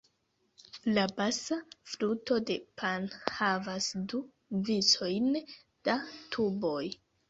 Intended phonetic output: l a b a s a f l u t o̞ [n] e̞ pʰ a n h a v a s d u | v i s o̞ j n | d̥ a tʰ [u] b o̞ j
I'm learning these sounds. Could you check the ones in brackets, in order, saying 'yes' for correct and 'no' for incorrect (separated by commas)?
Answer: no, yes